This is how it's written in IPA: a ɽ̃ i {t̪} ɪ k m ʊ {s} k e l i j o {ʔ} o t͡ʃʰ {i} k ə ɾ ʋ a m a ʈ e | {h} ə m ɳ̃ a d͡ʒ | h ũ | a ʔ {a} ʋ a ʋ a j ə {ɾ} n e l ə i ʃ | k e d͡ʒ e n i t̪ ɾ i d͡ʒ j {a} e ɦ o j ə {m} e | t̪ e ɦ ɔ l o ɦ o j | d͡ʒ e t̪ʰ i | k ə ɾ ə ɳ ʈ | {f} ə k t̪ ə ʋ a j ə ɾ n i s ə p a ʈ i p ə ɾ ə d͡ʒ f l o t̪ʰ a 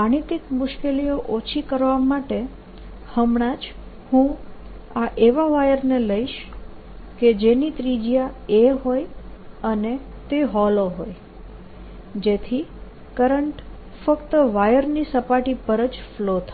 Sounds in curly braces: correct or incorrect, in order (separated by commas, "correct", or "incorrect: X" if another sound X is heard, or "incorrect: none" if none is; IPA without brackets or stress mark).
correct, incorrect: ʃ, correct, correct, correct, incorrect: e, correct, correct, incorrect: n, correct